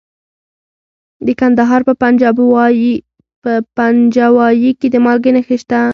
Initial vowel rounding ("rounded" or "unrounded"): unrounded